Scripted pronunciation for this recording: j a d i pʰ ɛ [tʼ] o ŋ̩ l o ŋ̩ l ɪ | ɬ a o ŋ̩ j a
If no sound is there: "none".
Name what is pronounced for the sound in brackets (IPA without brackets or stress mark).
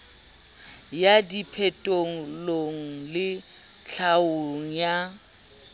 tʼ